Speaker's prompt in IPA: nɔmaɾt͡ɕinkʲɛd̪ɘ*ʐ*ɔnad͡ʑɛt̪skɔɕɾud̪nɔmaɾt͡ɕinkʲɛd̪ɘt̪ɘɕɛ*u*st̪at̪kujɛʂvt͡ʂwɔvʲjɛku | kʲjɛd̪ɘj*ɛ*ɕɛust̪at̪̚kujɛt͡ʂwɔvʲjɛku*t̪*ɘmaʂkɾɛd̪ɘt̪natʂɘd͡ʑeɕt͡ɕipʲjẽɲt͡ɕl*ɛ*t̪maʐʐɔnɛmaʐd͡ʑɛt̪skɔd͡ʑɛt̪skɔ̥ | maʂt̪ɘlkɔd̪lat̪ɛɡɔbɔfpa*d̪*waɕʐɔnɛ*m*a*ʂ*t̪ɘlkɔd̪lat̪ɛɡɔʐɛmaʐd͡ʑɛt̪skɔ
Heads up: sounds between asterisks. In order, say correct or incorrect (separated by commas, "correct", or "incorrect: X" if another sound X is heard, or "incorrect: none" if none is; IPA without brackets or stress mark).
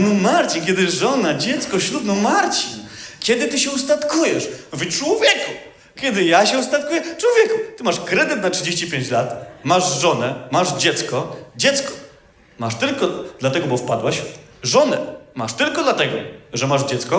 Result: correct, correct, incorrect: a, correct, incorrect: a, correct, correct, correct